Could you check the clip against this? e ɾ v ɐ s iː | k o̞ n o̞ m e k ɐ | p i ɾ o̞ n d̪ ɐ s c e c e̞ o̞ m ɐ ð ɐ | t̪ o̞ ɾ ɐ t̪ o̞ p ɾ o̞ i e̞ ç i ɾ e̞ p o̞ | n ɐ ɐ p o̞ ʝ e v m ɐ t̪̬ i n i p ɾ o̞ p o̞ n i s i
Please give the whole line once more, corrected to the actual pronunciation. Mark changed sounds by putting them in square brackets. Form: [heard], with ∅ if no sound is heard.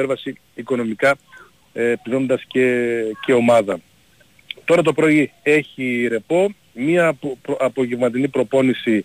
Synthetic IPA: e ɾ v ɐ s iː | k o̞ n o̞ m [i] k ɐ | p i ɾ o̞ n d̪ ɐ s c e c e̞ o̞ m ɐ ð ɐ | t̪ o̞ ɾ ɐ t̪ o̞ p ɾ o̞ i e̞ ç i ɾ e̞ p o̞ | [m] ɐ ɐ p o̞ ʝ e v m ɐ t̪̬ i n i p ɾ o̞ p o̞ n i s i